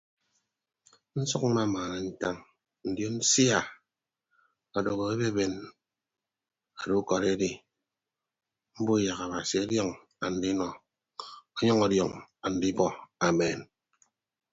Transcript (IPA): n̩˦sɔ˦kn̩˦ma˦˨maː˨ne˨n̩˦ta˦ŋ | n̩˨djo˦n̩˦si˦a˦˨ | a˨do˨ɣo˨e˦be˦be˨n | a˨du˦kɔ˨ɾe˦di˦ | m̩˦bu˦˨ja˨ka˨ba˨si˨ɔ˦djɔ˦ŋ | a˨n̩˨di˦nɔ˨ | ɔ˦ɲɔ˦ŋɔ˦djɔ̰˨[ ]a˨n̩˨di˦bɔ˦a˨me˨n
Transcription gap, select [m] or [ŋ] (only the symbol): ŋ